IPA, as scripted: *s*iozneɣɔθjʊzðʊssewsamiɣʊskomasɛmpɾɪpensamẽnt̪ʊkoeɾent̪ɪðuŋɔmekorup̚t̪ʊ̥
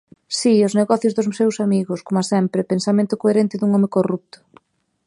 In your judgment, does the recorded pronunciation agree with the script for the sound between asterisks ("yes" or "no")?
yes